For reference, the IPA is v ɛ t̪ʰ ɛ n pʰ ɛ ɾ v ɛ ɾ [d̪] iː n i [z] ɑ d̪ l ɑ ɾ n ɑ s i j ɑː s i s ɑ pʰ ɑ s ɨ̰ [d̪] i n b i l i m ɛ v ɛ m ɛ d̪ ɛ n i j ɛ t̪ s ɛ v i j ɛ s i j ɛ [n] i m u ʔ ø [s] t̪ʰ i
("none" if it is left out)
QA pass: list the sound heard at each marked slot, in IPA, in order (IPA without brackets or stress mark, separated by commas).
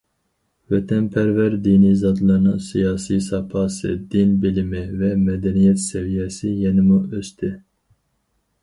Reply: d̪, z, d̪, n, s